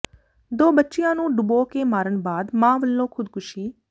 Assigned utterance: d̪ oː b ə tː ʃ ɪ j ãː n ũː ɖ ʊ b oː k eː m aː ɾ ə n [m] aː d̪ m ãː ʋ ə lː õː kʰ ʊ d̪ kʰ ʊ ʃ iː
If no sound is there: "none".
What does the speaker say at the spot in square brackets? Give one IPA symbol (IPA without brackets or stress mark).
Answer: b